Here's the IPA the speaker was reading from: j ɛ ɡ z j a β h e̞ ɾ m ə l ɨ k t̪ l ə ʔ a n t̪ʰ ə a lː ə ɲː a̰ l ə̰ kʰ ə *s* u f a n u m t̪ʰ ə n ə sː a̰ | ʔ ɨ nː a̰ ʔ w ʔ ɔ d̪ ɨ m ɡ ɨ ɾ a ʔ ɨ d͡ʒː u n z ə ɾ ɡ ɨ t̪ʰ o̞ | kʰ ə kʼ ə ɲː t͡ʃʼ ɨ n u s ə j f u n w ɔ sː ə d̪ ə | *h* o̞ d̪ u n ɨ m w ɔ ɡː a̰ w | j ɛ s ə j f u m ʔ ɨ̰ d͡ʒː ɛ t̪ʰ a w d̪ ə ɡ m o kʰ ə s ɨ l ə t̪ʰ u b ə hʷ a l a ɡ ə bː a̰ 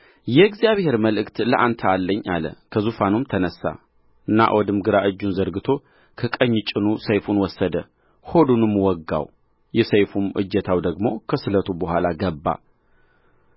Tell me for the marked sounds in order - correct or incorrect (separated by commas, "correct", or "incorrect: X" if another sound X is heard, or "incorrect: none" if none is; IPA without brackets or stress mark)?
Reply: incorrect: z, correct